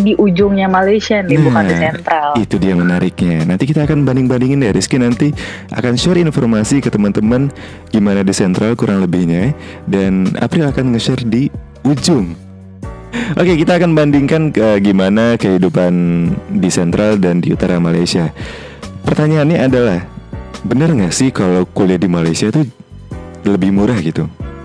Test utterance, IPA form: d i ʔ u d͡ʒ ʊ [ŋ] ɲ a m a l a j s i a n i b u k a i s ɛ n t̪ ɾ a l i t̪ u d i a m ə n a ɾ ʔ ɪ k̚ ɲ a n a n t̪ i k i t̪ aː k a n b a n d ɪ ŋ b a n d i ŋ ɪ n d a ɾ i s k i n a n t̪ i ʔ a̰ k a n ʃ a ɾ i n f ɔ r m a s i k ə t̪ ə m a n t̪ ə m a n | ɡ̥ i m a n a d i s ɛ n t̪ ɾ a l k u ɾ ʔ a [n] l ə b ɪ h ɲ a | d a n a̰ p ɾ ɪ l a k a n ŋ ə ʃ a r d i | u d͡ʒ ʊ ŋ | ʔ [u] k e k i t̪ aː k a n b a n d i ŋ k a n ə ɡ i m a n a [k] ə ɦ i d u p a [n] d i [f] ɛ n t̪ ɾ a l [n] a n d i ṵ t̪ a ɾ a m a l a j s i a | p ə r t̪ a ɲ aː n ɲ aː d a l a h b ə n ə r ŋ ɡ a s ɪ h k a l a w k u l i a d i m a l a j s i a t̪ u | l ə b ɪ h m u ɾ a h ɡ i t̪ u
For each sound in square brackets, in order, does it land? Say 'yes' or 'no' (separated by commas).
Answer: yes, no, no, yes, yes, no, no